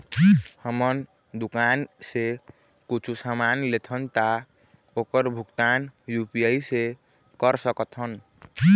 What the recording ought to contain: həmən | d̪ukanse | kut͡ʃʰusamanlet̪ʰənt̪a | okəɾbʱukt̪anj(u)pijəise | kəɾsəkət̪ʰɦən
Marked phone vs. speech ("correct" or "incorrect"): correct